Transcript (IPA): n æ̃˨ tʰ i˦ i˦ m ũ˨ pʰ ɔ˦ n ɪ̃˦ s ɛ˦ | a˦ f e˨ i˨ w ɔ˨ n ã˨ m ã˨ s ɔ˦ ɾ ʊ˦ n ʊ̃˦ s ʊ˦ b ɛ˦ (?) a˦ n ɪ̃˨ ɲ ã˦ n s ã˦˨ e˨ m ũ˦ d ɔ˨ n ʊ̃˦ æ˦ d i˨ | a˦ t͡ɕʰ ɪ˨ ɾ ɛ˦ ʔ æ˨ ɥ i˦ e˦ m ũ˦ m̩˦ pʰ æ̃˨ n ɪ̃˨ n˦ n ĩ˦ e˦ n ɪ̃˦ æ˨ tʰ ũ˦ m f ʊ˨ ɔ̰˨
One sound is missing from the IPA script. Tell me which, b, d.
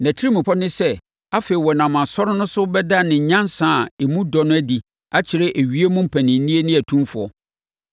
d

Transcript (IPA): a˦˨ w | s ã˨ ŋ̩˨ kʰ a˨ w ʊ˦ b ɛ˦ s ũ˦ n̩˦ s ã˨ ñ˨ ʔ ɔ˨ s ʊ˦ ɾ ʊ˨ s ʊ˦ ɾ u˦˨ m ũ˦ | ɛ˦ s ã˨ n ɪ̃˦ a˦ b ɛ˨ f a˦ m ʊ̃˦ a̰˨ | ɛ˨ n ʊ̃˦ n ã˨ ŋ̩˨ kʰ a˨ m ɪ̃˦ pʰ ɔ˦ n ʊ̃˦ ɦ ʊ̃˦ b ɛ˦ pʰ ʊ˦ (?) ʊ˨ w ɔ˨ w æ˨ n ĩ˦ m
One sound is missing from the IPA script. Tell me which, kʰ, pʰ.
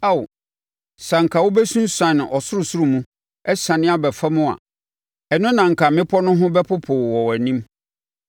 pʰ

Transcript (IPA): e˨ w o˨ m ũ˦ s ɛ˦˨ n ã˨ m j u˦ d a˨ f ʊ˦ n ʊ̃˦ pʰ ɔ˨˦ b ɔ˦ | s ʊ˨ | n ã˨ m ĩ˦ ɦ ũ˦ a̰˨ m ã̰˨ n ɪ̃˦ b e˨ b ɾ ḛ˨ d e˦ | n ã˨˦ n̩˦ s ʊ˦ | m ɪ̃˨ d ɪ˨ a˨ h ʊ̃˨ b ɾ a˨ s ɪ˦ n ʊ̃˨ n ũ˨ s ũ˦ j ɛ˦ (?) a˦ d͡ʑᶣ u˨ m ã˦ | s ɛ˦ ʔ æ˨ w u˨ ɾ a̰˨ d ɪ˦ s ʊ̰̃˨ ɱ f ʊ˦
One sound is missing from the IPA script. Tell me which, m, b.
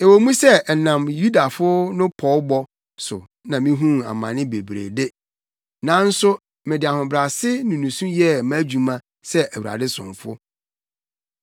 m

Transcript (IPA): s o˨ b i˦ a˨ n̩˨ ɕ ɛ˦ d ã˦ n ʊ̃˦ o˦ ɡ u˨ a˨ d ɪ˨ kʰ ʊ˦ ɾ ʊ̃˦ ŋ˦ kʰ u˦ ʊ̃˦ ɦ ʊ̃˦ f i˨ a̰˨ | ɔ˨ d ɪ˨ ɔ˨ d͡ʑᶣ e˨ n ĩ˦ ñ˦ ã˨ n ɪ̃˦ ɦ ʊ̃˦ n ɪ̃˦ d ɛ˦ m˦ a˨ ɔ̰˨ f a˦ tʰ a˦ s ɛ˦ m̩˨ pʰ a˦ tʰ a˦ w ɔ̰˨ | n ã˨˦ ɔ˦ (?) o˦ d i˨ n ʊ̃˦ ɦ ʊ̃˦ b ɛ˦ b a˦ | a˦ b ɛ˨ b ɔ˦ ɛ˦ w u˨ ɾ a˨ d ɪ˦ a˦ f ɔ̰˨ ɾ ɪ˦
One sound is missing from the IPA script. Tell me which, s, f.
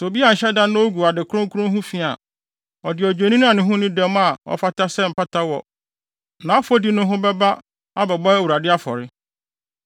f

